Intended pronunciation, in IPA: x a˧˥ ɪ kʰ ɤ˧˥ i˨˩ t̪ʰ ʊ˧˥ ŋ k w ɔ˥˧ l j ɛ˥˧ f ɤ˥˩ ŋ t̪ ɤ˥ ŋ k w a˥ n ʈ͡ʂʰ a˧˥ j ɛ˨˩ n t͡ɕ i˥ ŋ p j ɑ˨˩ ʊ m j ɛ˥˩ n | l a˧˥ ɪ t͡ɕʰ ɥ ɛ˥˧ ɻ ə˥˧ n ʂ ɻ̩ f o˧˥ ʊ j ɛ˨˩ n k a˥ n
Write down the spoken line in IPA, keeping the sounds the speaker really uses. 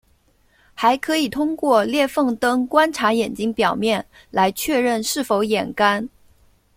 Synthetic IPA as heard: x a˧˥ ɪ kʰ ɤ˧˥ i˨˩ t̪ʰ ʊ˥ ŋ k w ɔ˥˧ l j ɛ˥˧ f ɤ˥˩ ŋ t̪ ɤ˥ ŋ k w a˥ n ʈ͡ʂʰ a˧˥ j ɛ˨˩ n t͡ɕ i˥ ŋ p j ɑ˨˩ ʊ m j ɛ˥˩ n | l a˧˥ ɪ t͡ɕʰ ɥ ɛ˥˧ ɻ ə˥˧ n ʂ ɻ̩ f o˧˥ ʊ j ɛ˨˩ n k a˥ n